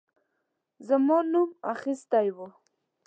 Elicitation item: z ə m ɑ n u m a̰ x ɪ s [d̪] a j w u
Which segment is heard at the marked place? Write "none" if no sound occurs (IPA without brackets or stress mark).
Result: t̪